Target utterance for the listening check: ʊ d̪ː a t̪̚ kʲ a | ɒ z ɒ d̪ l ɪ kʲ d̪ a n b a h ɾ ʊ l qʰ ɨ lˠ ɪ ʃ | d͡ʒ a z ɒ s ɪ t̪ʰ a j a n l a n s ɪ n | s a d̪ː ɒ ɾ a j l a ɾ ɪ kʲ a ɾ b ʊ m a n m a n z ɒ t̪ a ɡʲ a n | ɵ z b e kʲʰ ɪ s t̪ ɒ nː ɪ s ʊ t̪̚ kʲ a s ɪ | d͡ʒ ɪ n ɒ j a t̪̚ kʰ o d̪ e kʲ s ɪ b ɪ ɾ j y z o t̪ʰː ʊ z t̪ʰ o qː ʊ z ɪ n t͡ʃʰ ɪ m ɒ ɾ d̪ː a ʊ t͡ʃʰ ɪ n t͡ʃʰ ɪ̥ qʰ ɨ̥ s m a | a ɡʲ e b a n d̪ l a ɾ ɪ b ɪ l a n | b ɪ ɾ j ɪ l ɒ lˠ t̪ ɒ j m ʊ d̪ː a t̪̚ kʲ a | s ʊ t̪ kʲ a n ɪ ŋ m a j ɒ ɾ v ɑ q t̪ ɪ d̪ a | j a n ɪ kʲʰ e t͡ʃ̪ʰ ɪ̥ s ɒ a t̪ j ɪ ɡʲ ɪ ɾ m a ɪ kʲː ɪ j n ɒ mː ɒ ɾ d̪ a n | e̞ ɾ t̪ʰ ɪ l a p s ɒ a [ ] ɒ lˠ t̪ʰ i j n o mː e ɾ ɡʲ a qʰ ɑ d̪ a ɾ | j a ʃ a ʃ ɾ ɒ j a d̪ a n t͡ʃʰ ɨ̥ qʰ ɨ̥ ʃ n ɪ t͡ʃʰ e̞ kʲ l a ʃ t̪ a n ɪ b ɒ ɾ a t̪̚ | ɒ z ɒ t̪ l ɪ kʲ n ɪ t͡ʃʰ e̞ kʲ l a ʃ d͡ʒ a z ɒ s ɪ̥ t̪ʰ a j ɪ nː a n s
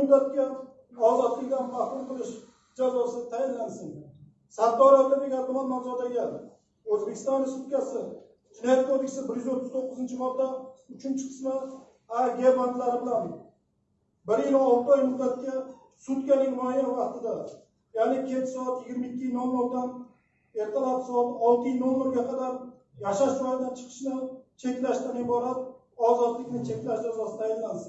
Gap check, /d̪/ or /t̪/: t̪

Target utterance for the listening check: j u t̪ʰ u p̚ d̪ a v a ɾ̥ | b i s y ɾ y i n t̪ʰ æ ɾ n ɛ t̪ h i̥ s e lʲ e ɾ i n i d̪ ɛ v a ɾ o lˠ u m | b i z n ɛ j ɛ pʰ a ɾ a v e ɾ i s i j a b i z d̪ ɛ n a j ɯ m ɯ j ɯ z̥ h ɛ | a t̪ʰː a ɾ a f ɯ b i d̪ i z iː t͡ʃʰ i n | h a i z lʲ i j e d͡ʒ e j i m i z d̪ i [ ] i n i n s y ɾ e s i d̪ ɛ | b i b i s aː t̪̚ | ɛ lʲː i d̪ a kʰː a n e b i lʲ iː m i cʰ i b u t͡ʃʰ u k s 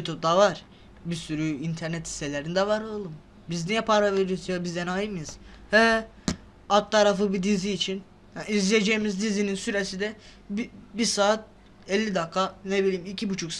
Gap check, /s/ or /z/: z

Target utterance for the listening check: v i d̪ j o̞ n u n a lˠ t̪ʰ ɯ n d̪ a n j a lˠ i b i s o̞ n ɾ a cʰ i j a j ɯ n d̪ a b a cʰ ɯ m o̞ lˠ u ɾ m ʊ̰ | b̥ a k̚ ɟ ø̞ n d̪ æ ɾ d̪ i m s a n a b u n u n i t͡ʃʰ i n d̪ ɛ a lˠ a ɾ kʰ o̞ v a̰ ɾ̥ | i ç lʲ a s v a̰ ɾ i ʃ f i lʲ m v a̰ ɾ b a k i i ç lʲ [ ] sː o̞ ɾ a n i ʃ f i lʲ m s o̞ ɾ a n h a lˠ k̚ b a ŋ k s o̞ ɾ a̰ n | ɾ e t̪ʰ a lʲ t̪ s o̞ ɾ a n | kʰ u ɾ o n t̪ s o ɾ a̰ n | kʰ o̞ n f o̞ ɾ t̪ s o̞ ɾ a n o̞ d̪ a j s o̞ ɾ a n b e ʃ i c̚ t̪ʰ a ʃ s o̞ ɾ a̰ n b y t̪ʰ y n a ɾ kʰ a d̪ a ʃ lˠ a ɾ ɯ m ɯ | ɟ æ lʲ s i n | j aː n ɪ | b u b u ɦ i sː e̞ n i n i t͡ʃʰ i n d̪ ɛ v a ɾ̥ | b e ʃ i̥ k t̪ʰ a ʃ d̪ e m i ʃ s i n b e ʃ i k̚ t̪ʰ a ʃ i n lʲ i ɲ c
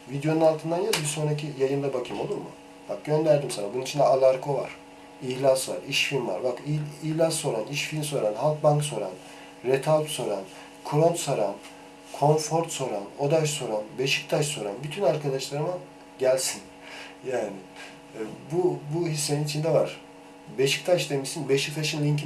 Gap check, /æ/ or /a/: a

